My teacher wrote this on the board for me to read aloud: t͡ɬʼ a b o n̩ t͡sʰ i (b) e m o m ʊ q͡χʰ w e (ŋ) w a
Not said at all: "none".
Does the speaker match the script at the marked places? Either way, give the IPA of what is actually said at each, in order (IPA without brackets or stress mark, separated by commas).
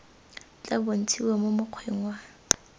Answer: w, ŋ